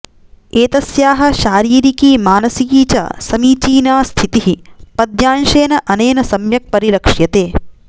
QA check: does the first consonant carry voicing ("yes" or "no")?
no